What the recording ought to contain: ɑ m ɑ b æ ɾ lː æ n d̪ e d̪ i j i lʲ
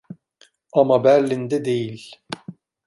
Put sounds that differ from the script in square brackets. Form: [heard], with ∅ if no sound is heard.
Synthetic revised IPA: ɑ m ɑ b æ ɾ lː [i] n d̪ [ɛ] d̪ [e] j i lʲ